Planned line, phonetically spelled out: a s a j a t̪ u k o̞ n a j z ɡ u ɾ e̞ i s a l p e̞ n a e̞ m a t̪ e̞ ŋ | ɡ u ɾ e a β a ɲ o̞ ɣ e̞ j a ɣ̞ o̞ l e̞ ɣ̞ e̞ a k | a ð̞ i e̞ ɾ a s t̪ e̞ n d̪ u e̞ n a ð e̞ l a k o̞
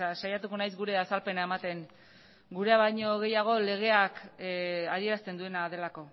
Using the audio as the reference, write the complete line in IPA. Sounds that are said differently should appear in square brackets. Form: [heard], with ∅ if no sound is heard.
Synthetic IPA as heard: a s a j a t̪ u k o̞ n a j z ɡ u ɾ e̞ [a] s a l p e̞ n a e̞ m a t̪ e̞ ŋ | ɡ u ɾ e a β a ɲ o̞ ɣ e̞ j a ɣ̞ o̞ l e̞ ɣ̞ e̞ a k | a ð̞ i e̞ ɾ a s t̪ e̞ n d̪ u e̞ n a ð e̞ l a k o̞